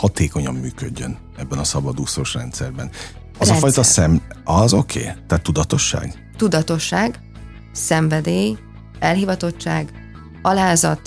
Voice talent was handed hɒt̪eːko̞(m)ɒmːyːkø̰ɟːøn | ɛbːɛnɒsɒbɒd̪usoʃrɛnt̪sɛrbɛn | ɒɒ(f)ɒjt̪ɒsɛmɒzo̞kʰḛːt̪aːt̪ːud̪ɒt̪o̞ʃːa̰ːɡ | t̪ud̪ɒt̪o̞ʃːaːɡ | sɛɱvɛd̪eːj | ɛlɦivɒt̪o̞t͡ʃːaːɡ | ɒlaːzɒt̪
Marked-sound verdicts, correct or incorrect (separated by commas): incorrect, correct